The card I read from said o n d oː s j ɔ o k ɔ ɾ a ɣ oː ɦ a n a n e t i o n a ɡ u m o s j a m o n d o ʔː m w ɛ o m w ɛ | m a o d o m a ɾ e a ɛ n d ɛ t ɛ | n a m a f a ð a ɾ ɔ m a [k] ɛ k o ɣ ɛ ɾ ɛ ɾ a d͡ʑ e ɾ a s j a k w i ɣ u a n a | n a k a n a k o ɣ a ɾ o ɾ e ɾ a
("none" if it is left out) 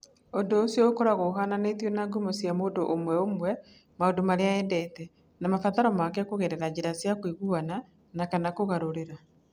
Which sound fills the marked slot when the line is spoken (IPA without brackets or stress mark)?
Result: k